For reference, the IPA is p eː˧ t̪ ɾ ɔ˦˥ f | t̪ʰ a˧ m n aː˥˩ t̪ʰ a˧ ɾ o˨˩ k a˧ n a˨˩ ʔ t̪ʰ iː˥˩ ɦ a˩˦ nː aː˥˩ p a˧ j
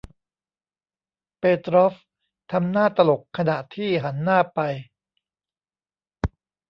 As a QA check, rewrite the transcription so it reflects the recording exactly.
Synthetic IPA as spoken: p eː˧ t̪ ɾ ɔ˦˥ f | t̪ʰ a˧ m n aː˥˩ t̪ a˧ l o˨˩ kʰ a˧ n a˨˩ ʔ t̪ʰ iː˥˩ ɦ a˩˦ nː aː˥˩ p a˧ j